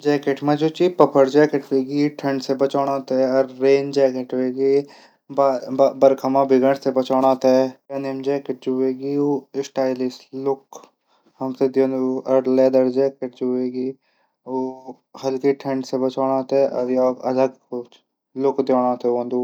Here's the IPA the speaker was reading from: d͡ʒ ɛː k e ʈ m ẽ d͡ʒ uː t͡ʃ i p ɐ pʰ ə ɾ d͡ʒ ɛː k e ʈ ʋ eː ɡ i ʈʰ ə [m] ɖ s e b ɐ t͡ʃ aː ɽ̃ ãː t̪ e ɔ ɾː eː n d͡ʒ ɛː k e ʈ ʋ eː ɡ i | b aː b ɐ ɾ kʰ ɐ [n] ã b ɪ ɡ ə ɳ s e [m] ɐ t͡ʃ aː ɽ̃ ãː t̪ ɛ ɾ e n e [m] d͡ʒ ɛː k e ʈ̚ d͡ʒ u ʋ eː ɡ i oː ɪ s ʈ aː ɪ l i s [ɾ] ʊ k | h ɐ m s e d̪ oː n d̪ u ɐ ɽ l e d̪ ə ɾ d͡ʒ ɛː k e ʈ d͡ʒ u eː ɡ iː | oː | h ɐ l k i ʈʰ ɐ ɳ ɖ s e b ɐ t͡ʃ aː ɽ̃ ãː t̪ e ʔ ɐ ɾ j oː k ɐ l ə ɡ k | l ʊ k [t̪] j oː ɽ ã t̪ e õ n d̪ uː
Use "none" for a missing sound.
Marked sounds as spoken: ɳ, m, b, m, l, d̪

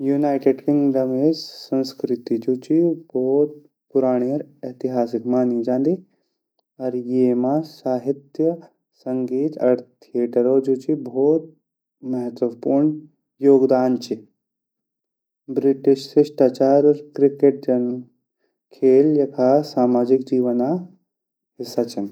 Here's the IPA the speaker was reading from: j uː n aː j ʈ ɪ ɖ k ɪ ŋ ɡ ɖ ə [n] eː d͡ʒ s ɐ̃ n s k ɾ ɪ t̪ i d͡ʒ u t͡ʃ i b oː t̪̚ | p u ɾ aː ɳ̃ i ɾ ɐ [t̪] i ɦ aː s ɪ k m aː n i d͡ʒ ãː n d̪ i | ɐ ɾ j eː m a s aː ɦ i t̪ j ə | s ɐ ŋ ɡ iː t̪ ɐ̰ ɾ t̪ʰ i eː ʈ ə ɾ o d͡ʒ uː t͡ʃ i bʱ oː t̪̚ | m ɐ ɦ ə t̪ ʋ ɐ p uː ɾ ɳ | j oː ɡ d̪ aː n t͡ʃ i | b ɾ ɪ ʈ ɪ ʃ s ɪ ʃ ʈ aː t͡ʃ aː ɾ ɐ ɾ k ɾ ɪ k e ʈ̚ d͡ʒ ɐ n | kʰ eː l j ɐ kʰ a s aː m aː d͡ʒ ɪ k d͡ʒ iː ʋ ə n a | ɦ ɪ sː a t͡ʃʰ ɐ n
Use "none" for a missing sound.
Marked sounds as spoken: m, t̪

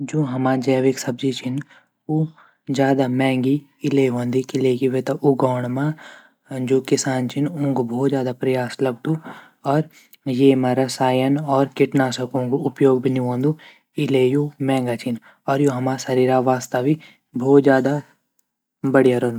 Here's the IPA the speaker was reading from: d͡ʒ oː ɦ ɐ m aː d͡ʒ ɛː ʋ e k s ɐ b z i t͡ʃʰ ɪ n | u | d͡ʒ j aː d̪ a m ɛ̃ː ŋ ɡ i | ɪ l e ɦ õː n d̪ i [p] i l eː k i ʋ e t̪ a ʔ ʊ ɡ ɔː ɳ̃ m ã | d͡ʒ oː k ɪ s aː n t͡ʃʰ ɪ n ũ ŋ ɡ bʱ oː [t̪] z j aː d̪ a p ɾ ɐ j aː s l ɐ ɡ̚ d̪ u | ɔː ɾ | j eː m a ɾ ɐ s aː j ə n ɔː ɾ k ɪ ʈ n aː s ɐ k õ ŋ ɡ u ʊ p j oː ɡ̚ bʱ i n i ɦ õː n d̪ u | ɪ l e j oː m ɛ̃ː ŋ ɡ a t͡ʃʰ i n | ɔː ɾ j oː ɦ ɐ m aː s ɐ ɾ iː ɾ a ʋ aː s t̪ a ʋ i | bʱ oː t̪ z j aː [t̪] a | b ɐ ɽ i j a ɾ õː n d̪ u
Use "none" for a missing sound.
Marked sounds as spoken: k, t̪, d̪

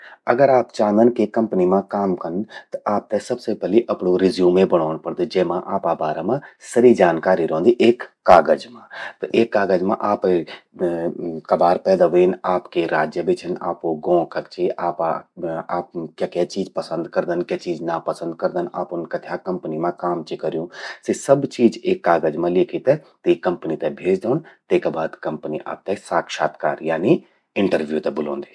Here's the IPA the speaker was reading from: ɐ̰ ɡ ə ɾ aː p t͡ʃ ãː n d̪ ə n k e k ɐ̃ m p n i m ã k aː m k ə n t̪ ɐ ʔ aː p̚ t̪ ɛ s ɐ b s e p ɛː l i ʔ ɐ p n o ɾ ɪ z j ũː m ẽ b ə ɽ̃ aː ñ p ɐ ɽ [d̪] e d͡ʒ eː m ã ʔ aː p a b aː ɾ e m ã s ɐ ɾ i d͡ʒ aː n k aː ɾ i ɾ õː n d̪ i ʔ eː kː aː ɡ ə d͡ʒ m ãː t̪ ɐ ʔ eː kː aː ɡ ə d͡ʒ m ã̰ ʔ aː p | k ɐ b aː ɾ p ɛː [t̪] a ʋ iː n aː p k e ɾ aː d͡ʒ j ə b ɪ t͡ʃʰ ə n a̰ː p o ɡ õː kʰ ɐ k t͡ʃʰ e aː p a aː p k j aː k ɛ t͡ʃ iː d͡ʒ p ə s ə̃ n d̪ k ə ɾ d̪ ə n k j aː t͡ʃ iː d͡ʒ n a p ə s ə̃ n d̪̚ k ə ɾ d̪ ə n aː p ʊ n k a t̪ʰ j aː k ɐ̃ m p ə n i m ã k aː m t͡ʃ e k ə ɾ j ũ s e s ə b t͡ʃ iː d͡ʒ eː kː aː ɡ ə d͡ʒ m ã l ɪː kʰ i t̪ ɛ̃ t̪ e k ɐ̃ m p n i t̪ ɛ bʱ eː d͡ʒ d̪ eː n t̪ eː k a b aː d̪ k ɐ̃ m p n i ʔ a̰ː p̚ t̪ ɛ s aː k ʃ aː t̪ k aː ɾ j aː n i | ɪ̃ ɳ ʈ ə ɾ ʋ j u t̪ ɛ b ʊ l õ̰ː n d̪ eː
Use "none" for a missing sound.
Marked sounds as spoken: d̪, d̪

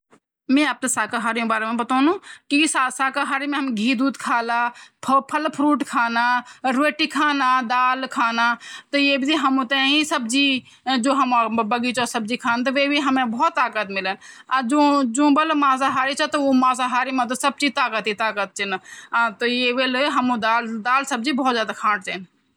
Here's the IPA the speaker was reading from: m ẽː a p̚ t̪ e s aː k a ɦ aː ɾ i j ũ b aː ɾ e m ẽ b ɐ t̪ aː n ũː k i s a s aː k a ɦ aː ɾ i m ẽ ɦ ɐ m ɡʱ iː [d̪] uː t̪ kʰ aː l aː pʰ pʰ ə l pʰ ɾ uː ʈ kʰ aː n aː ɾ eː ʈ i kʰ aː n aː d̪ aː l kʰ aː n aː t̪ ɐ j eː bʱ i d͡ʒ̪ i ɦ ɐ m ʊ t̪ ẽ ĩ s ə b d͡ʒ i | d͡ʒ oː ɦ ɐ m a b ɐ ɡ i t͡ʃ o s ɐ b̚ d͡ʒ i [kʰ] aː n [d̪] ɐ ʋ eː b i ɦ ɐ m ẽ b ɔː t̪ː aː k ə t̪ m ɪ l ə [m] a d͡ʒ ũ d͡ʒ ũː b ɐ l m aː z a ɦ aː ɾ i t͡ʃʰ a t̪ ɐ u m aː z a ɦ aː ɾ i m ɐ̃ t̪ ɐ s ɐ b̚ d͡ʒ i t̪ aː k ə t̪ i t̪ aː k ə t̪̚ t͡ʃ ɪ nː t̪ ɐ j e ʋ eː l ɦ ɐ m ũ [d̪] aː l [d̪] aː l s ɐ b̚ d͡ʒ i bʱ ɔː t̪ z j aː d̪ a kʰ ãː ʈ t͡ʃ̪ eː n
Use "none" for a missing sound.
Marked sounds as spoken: d̪, kʰ, t̪, n, d̪, d̪

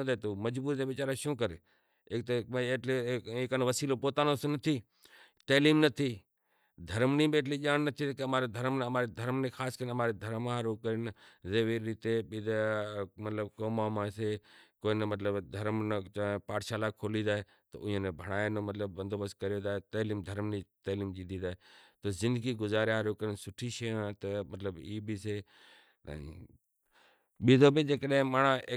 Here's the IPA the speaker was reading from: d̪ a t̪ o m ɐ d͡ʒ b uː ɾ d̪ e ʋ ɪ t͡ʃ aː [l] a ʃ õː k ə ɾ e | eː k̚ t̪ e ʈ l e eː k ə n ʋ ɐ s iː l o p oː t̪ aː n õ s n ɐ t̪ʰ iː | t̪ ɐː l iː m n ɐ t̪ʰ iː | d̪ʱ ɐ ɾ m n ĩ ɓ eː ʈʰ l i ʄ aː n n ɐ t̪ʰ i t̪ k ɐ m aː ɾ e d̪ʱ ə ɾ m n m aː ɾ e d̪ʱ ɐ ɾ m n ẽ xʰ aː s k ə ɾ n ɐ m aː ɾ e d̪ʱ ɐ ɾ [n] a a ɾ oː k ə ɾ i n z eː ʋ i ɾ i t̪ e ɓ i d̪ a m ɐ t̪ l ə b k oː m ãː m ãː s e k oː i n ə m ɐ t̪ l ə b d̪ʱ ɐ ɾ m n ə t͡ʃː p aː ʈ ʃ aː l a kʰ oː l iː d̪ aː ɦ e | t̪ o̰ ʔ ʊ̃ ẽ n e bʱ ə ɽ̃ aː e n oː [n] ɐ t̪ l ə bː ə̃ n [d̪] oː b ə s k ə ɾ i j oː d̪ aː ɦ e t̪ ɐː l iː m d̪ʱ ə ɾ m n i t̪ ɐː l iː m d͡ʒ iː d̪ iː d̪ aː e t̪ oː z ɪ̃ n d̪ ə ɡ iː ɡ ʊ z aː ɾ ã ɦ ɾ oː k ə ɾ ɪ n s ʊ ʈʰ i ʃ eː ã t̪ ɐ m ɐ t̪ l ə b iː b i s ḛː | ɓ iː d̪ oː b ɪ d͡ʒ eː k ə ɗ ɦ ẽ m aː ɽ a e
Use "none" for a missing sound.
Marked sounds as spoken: ɾ, m, m, d̪

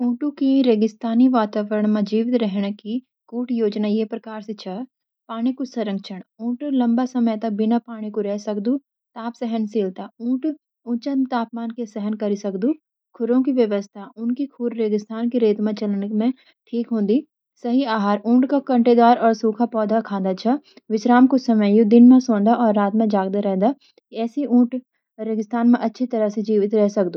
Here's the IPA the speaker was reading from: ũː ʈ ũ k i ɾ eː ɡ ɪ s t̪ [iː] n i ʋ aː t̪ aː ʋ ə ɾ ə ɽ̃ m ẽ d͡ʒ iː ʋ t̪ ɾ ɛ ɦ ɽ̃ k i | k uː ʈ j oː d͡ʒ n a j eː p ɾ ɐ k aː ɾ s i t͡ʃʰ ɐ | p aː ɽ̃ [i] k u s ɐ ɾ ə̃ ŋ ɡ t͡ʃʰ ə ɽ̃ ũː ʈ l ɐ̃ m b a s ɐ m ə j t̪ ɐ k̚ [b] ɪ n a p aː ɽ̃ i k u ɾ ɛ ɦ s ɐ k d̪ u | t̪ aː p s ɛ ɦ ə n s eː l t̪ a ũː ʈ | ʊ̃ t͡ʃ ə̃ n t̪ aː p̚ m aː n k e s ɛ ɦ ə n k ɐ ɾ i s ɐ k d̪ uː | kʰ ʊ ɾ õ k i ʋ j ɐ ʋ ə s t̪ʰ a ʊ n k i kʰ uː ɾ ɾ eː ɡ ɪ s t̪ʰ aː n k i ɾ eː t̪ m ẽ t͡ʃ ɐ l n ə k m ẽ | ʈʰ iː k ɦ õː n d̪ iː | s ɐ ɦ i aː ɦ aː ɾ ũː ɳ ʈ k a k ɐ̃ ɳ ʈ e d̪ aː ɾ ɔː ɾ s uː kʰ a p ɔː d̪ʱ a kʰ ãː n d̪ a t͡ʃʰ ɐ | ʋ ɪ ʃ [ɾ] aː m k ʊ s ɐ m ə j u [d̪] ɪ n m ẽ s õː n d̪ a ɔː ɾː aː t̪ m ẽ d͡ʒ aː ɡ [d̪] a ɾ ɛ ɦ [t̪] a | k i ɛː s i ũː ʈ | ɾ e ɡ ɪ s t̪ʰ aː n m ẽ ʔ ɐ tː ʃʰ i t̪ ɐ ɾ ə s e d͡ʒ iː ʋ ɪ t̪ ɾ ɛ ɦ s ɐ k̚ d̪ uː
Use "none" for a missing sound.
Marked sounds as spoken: aː, i, b, ɾ, d̪, d̪, d̪

